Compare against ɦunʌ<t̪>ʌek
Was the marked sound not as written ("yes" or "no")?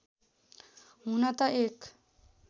no